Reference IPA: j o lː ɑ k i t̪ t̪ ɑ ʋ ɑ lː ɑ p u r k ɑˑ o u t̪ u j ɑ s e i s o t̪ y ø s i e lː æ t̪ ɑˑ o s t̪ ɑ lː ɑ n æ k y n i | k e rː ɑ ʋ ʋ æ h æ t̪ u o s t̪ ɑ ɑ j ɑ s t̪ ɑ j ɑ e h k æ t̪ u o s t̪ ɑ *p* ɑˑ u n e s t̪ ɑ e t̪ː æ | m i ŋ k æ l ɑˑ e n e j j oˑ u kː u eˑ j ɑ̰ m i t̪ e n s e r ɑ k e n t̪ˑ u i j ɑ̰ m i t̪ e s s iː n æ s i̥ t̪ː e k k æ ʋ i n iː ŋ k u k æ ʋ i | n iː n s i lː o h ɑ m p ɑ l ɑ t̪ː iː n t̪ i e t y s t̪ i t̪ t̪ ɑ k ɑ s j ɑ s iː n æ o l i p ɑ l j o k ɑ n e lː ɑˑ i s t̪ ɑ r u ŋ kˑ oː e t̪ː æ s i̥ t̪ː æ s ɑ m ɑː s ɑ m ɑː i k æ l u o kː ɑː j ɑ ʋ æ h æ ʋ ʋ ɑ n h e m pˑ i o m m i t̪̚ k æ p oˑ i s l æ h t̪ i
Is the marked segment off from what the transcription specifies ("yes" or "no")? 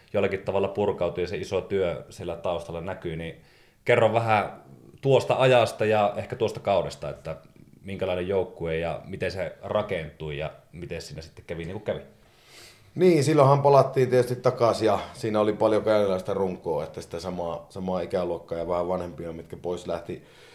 yes